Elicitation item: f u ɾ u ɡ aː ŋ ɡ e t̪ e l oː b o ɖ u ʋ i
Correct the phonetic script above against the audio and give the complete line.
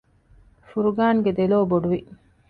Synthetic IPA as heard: f u ɾ u ɡ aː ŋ ɡ e d̪ e l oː b o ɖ u ʋ i